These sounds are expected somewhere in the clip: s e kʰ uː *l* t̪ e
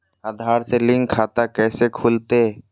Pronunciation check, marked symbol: correct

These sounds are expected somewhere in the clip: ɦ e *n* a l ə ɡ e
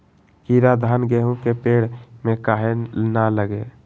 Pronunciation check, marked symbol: correct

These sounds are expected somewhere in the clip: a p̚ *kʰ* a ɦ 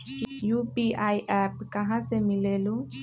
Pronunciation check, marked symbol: incorrect: k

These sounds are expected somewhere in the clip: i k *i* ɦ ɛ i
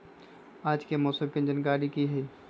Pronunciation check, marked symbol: correct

